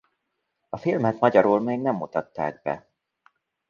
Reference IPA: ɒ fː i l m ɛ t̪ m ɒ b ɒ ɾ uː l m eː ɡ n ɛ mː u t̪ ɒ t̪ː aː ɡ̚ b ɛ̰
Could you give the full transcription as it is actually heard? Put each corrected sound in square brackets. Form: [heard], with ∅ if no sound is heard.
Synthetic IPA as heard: ɒ [f] i l m ɛ t̪ m ɒ [ɟ] ɒ ɾ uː l m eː ɡ n ɛ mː u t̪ ɒ t̪ː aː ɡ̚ b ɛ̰

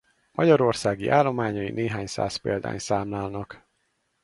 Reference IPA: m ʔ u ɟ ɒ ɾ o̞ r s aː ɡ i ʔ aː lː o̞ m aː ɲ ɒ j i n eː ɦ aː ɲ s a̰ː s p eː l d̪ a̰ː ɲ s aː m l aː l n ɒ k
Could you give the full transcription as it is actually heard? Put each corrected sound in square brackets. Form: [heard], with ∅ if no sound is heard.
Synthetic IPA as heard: m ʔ [ɒ] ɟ ɒ ɾ o̞ r s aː ɡ i ʔ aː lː o̞ m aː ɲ ɒ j i n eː ɦ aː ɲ s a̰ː s p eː l d̪ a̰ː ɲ s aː m l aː l n ɒ k

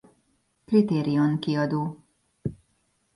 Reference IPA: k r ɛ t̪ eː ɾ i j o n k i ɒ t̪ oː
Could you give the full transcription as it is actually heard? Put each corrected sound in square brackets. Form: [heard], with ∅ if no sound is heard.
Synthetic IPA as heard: k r [i] t̪ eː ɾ i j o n k i ɒ [d̪] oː

